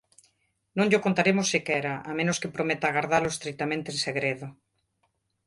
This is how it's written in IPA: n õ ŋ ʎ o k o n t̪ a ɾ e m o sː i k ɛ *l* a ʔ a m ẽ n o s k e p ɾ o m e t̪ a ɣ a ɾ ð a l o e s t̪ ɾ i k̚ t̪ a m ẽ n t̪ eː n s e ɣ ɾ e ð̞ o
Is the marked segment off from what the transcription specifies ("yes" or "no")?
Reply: yes